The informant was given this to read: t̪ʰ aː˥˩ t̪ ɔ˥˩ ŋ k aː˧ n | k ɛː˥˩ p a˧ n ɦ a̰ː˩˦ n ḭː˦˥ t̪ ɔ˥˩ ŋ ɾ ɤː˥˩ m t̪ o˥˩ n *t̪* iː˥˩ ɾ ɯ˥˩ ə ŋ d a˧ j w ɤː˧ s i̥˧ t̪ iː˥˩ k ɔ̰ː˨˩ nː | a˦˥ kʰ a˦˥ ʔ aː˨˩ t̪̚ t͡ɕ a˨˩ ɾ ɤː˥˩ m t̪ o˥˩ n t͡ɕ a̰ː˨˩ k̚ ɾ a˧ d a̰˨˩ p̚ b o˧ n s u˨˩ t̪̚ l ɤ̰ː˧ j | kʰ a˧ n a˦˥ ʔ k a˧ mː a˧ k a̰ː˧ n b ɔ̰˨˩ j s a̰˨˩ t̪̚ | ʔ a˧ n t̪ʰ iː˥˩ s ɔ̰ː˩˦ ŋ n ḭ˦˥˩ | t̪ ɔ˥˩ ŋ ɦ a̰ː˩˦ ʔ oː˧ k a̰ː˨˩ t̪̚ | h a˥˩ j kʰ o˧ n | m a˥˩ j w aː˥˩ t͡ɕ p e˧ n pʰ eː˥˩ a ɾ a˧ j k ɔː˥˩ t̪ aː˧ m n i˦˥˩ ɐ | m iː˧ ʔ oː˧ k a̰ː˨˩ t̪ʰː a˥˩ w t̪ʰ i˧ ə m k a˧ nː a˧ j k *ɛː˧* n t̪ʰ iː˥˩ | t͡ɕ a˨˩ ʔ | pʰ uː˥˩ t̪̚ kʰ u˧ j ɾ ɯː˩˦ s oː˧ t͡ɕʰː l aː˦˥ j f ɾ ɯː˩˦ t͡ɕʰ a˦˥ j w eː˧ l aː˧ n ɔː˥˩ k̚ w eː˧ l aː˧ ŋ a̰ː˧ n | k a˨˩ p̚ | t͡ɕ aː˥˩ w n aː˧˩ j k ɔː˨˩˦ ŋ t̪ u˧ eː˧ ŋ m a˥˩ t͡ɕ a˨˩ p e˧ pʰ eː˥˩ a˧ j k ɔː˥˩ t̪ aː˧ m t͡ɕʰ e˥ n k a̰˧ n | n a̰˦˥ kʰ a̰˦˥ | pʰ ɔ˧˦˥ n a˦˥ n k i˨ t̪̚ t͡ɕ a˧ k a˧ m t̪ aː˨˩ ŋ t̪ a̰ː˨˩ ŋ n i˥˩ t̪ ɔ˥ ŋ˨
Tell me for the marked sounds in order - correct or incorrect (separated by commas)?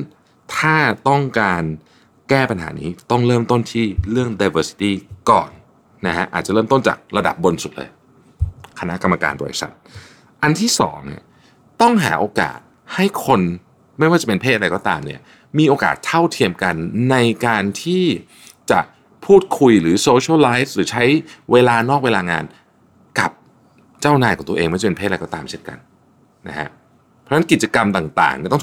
incorrect, incorrect